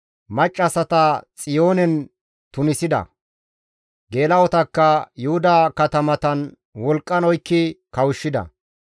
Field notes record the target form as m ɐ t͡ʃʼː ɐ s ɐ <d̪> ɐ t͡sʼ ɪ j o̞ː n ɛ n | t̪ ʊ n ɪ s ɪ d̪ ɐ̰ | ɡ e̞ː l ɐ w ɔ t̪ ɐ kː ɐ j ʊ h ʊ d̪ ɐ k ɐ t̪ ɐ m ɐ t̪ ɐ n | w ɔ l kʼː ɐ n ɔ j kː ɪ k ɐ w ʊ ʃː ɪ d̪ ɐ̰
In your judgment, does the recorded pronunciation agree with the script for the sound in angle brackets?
no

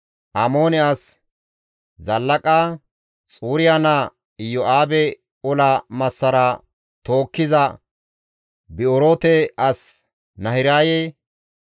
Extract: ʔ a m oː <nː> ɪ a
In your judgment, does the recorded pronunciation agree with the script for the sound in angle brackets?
no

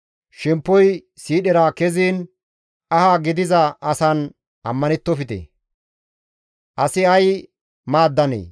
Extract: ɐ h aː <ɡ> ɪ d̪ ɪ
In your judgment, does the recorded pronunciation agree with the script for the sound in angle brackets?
yes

